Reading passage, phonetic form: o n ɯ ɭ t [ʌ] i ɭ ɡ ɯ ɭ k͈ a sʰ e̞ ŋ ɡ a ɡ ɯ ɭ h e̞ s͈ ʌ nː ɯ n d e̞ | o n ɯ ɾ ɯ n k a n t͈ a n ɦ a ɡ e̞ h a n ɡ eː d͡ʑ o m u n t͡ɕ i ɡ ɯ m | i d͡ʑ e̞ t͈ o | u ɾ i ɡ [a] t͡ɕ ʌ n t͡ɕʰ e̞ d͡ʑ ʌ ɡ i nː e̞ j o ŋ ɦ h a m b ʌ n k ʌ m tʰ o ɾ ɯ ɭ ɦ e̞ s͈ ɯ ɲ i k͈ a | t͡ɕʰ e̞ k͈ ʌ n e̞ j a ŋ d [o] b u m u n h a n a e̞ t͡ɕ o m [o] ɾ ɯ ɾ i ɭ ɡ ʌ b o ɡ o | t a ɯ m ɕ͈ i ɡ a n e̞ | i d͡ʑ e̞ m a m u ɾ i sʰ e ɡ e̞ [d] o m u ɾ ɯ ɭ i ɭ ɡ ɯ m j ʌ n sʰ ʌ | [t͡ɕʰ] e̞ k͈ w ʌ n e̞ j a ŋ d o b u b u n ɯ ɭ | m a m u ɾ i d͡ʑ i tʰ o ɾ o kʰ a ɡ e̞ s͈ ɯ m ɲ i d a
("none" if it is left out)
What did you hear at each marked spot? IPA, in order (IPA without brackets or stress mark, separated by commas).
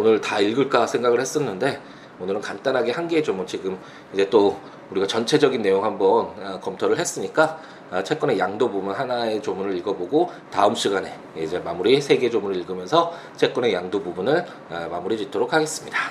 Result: a, a, o, u, d͡ʑ, t͡ɕʰ